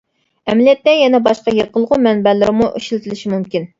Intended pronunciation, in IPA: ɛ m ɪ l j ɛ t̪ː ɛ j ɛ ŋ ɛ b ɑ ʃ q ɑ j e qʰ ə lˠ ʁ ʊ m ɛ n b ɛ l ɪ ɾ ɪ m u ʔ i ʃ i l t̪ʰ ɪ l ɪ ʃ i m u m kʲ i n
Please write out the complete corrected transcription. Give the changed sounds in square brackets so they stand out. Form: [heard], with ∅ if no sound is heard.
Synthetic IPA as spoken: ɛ m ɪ l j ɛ t̪ː ɛ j ɛ [n] ɛ b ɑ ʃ q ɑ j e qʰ ə lˠ ʁ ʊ m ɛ n b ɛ l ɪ ɾ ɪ m u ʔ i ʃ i l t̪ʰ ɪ l ɪ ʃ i m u m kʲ i n